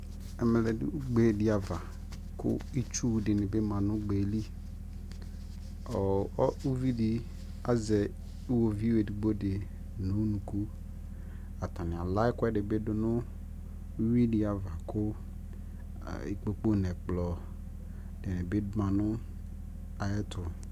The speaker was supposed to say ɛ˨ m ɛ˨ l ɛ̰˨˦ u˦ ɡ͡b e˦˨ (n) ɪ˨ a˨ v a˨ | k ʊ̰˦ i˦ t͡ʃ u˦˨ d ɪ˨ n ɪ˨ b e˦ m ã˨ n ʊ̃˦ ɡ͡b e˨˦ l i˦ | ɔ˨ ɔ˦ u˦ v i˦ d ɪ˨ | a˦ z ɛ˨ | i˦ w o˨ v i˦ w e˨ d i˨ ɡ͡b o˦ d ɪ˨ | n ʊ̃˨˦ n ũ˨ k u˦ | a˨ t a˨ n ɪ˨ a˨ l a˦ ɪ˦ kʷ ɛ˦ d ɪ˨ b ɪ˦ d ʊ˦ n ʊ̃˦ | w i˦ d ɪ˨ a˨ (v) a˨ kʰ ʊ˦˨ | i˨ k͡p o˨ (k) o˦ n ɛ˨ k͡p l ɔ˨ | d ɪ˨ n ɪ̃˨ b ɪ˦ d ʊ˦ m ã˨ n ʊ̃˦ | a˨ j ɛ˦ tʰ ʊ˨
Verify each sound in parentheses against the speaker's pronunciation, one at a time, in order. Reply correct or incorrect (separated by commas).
incorrect, correct, incorrect